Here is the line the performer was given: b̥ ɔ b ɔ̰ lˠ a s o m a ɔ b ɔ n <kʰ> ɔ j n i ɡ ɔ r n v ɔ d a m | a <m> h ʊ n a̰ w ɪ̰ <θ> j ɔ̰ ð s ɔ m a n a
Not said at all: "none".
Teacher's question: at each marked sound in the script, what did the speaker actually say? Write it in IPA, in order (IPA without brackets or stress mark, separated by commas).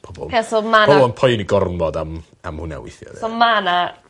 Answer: pʰ, m, θ